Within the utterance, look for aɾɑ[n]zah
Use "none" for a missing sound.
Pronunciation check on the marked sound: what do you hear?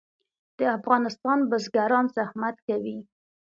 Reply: n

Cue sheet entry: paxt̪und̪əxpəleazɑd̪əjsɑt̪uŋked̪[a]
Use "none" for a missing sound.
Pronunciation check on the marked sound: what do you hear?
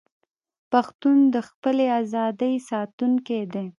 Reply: e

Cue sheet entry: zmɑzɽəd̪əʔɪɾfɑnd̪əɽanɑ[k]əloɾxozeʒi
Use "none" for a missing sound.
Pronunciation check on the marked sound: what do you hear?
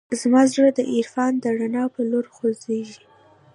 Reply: p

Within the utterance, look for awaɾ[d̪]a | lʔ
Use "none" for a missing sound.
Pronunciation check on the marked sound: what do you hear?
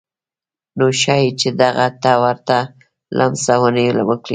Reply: t̪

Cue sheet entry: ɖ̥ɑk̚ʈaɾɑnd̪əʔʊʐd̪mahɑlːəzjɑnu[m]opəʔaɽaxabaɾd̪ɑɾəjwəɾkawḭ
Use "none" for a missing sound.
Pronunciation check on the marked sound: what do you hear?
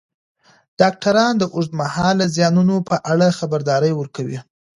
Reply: n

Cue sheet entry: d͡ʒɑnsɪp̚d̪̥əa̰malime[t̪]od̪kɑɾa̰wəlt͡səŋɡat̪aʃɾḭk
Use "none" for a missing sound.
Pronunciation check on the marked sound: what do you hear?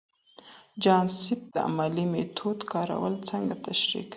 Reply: t̪ʰ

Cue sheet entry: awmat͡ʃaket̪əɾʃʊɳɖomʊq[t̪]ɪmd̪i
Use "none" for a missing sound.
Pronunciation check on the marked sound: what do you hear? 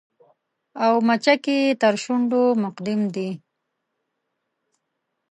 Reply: d̪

